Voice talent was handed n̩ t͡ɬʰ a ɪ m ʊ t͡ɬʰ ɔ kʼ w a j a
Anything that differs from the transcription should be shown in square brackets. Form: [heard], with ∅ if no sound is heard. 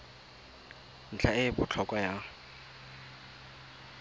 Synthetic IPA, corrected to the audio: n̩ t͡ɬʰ a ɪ [b] ʊ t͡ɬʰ ɔ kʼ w a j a